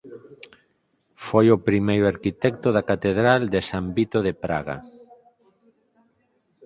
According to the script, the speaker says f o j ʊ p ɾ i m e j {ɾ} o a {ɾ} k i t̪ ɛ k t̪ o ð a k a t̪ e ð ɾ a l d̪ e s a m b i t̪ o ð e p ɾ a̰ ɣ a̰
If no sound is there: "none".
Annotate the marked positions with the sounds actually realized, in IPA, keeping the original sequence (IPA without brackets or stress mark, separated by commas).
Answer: ɾ, ɾ